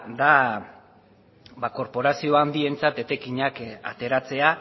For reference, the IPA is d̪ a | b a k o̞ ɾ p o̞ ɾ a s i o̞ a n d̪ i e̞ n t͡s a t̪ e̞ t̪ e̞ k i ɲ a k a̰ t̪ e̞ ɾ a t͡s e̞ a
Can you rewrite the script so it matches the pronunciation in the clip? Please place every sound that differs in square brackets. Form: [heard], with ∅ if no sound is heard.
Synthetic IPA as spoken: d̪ a | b a k o̞ ɾ p o̞ ɾ a s i o̞ a n d̪ i e̞ n t͡s a t̪ e̞ t̪ e̞ k i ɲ a k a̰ t̪ e̞ ɾ a t͡s e̞ a